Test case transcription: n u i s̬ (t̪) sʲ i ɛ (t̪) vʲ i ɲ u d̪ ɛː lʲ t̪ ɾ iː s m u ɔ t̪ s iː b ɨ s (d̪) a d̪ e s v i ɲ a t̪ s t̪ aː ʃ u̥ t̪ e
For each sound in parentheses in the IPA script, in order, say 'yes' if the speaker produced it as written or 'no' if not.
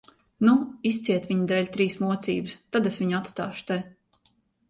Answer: yes, yes, no

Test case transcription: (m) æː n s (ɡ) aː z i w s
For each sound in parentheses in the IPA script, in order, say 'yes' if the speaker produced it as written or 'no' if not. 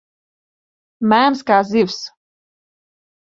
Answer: yes, no

